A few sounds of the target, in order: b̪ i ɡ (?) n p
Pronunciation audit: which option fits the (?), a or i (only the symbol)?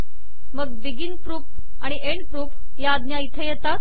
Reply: i